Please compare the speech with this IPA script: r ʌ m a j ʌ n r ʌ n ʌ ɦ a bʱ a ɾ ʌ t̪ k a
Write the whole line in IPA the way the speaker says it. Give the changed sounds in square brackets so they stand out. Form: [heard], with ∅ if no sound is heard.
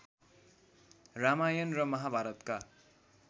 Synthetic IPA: r [a] m a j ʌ n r ʌ [m] ʌ ɦ a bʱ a ɾ ʌ t̪ k a

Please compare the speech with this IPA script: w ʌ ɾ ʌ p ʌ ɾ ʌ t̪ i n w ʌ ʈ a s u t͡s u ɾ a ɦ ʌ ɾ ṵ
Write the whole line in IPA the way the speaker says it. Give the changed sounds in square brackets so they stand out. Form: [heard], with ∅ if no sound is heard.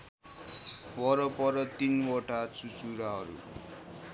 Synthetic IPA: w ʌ ɾ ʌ p ʌ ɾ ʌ t̪ i n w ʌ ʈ a [t͡s] u t͡s u ɾ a ɦ ʌ ɾ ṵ

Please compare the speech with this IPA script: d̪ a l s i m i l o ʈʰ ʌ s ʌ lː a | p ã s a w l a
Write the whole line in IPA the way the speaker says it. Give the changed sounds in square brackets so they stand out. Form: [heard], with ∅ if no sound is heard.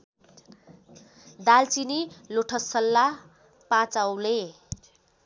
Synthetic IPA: d̪ a l [t͡s] i [n] i l o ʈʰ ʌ s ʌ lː a | p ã [t͡s] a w l [e]

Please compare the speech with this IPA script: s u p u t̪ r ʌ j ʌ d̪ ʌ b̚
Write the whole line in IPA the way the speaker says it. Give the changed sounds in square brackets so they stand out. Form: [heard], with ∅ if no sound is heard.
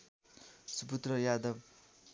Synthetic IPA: s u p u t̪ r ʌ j [a] d̪ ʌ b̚

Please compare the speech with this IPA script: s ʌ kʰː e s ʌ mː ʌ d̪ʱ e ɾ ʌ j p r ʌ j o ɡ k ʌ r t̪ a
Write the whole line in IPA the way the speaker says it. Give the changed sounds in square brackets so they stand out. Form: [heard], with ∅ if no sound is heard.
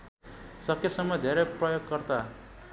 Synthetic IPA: s ʌ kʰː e s ʌ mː ʌ d̪ʱ e ɾ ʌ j p r ʌ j o ɡ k ʌ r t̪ a

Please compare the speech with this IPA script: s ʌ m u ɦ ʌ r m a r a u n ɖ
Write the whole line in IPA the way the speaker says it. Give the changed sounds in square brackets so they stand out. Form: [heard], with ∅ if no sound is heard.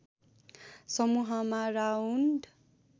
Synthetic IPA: s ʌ m u ɦ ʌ [∅] m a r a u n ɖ

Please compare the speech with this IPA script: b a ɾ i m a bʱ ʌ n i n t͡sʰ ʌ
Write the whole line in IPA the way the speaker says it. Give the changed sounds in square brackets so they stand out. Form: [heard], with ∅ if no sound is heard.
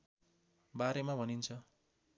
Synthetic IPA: b a ɾ [e] m a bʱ ʌ n i n t͡sʰ ʌ

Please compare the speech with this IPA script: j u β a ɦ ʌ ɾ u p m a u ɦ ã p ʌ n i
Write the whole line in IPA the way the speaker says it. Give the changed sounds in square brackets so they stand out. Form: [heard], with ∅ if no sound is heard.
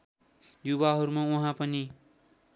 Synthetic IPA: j u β a ɦ ʌ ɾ u [∅] m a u ɦ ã p ʌ n i

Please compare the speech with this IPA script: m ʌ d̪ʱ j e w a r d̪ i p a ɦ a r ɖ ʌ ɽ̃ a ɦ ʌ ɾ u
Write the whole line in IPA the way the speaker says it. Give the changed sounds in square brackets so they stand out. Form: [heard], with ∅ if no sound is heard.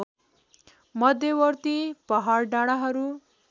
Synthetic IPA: m ʌ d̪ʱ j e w [ʌ] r [t̪] i p [ʌ] ɦ a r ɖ [a] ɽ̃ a ɦ ʌ ɾ u

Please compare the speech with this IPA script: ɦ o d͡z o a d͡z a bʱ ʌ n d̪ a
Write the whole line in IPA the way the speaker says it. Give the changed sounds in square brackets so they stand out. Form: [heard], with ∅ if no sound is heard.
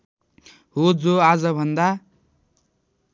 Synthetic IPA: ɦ o d͡z o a d͡z [ʌ] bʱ ʌ n d̪ a

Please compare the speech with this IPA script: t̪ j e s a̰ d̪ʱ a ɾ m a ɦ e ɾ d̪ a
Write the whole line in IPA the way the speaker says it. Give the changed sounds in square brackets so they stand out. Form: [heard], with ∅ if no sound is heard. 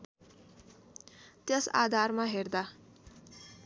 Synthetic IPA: t̪ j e s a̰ d̪ʱ a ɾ m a ɦ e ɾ d̪ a

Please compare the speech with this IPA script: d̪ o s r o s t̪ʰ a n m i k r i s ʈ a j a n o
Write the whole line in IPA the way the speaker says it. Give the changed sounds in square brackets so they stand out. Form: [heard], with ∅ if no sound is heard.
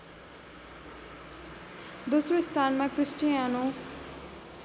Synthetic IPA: d̪ o s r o s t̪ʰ a n m [a] k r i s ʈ [i] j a n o

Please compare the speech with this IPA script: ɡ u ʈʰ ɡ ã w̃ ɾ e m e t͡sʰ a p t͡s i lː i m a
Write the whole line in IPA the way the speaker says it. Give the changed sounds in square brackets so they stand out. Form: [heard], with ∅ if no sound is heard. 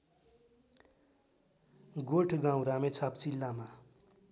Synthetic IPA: ɡ [o] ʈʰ ɡ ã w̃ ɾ [a] m e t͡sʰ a p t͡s i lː [a] m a

